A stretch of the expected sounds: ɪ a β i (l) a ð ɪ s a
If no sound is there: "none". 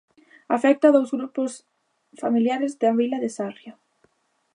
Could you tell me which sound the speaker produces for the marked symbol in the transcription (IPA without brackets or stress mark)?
l